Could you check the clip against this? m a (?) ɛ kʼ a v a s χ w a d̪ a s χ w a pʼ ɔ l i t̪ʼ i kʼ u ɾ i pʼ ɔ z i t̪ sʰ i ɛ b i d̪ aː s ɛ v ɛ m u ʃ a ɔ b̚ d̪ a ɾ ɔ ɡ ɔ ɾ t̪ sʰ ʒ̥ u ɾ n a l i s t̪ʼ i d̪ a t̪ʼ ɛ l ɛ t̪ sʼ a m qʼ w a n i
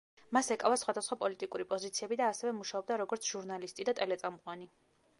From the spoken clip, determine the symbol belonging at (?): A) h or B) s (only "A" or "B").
B